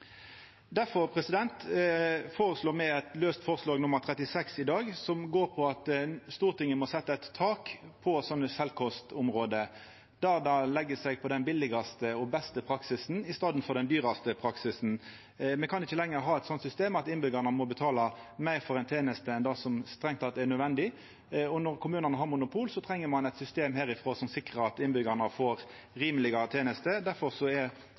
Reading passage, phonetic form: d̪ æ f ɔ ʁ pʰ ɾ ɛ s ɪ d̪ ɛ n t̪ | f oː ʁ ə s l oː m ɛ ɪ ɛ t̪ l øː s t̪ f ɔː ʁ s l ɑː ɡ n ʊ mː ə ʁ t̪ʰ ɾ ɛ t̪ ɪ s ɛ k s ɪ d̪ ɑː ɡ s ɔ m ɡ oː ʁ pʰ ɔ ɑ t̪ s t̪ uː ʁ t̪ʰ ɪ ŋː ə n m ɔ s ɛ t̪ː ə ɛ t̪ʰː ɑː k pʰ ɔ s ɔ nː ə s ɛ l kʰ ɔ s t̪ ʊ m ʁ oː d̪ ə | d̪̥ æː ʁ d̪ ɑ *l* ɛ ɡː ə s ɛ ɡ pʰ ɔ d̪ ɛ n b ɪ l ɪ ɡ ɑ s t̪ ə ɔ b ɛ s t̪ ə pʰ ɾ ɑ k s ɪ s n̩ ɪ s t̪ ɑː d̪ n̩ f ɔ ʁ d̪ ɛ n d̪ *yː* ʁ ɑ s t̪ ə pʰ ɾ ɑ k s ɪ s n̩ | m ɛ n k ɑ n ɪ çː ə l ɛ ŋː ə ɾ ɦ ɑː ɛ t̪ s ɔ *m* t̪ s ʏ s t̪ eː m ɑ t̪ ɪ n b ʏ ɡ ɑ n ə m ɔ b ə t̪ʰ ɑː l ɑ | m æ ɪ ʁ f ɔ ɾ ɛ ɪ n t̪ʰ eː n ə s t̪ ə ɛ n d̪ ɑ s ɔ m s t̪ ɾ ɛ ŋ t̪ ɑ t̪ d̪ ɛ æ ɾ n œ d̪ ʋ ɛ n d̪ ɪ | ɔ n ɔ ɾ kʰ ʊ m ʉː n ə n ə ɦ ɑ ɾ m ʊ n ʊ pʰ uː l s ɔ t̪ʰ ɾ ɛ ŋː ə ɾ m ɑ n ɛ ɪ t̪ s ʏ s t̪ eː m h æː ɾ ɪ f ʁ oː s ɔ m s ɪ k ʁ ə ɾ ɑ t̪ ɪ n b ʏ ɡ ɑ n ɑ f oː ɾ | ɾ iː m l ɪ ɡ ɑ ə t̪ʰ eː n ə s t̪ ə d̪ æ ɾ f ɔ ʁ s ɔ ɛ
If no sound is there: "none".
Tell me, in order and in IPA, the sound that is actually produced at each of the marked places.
l, yː, n

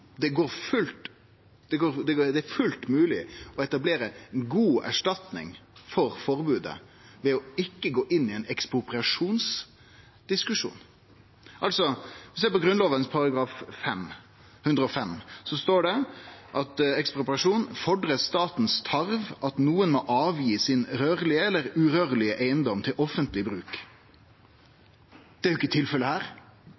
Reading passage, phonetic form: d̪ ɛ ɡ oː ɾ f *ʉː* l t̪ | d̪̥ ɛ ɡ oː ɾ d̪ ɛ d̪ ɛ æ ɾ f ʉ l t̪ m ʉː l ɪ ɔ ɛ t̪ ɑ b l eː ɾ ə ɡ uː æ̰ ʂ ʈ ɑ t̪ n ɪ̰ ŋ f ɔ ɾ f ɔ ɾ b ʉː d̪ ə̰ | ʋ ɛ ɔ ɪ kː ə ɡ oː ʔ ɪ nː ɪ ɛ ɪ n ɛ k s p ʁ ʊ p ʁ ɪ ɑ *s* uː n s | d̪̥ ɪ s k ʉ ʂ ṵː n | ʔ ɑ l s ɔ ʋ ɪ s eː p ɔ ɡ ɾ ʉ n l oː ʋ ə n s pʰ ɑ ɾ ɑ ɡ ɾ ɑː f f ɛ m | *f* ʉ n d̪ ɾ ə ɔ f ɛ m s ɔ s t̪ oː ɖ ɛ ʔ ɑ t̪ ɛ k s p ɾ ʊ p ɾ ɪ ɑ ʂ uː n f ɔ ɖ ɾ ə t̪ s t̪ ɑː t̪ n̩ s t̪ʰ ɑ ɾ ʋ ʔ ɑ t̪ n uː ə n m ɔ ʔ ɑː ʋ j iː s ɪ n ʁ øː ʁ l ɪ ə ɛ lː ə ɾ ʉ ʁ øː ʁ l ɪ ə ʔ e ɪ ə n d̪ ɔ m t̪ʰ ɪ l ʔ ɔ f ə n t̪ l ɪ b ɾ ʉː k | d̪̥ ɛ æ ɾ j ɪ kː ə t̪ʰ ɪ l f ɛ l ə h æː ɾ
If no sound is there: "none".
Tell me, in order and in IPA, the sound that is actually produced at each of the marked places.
ʉ, ʂ, h

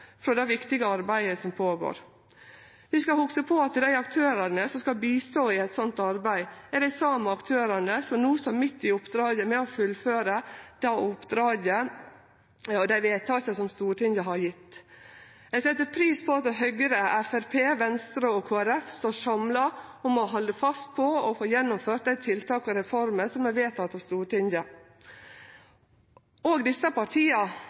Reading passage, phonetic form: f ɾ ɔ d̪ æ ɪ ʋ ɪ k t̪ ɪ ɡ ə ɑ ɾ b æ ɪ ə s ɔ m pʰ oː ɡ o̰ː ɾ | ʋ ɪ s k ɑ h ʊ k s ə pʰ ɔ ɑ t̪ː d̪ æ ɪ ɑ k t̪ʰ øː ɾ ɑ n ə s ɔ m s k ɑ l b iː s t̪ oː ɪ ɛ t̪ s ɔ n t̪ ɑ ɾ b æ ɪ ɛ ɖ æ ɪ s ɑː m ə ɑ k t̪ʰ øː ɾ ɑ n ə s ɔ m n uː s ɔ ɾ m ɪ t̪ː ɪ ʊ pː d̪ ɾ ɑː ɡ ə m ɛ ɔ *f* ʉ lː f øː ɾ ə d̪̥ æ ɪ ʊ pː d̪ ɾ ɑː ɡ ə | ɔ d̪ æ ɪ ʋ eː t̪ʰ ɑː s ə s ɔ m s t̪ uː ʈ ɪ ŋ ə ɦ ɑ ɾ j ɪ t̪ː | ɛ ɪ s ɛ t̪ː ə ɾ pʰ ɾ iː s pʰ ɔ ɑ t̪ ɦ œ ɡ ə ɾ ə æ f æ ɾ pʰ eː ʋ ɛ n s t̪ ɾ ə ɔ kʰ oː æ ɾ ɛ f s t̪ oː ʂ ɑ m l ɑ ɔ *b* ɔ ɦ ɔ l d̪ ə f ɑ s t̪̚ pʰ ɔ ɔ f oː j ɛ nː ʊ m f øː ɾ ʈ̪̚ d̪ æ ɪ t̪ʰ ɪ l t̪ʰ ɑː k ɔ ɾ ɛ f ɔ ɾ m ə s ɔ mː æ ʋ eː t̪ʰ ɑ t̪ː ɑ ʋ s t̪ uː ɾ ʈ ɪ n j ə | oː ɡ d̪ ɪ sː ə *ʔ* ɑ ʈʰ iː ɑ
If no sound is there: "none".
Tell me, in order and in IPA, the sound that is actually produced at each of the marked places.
f, m, p

